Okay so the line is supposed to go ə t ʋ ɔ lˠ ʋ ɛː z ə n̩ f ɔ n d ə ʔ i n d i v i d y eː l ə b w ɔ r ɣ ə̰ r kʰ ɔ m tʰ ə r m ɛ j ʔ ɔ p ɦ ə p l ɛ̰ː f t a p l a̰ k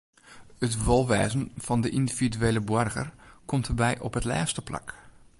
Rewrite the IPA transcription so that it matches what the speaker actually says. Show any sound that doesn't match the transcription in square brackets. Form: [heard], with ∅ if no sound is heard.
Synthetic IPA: ə t ʋ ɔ lˠ ʋ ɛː z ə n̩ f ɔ n d ə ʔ i n d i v i d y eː l ə b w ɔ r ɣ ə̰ r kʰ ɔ m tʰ ə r [b] ɛ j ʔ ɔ p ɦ ə [t] l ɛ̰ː [s] t [ə] p l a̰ k